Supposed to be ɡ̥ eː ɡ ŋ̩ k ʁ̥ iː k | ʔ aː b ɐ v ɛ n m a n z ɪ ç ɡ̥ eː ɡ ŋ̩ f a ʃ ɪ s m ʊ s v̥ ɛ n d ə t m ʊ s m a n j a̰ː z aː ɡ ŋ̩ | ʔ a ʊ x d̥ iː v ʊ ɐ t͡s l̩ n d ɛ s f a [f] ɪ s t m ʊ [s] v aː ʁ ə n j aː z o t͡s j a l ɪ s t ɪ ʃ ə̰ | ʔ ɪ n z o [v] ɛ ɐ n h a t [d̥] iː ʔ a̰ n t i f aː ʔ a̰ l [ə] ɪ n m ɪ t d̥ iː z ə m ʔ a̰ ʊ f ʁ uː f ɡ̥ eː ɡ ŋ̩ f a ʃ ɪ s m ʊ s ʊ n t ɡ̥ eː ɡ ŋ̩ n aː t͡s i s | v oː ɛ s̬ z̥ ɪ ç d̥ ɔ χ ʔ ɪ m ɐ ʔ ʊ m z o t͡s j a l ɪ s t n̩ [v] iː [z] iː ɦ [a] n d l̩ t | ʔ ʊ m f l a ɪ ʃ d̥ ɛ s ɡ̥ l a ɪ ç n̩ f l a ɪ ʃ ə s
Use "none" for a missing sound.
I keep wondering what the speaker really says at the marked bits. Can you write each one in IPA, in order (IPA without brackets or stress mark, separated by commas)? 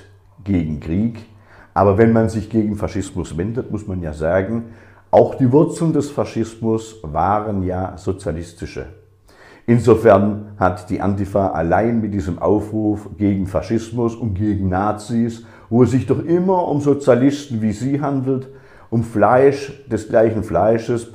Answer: ʃ, s, f, d̥, a, v, z, a